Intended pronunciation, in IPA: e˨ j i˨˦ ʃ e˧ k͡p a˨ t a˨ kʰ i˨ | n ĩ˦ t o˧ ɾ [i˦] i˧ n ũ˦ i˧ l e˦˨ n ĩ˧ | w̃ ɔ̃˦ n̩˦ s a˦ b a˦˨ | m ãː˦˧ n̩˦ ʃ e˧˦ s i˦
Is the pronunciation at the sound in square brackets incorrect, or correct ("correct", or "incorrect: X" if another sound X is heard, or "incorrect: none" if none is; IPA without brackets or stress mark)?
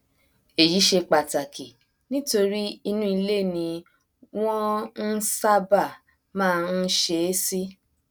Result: correct